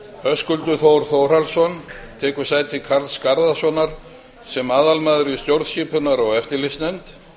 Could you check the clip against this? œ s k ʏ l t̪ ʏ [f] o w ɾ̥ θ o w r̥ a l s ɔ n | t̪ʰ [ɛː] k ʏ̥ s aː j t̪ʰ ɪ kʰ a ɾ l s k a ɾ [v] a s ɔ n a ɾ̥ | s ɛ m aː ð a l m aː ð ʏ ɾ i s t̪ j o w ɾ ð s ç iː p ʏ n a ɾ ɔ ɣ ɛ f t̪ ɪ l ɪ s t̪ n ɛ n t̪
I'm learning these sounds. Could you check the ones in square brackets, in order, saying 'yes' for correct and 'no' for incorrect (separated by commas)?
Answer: no, yes, no